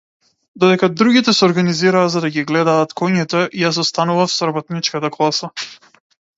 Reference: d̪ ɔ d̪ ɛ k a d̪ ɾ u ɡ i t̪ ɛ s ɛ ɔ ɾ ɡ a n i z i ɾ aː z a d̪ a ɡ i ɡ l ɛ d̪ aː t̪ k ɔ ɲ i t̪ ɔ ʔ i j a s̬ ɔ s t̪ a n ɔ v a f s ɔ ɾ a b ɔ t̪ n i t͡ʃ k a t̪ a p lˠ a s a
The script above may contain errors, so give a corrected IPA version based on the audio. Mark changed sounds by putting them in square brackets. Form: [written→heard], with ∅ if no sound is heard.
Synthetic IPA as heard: d̪ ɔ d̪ ɛ k a d̪ ɾ u ɡ i t̪ ɛ s ɛ ɔ ɾ ɡ a n i z i ɾ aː z a d̪ a ɡ i ɡ l ɛ d̪ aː t̪ k ɔ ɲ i t̪ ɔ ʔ i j a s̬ ɔ s t̪ a n [ɔ→u] v a f s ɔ ɾ a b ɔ t̪ n i t͡ʃ k a t̪ a [p→k] lˠ a s a